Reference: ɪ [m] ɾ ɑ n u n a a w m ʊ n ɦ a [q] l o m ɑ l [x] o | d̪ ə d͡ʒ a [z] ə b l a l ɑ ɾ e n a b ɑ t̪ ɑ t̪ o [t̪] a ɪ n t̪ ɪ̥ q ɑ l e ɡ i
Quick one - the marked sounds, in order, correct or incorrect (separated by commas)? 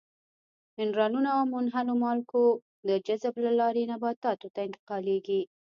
incorrect, incorrect, incorrect, correct, correct